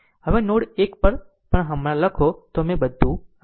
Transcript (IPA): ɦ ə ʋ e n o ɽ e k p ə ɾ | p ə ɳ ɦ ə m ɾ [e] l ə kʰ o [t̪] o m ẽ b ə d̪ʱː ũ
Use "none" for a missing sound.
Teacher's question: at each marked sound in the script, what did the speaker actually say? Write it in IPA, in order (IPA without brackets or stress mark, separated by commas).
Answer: a, t̪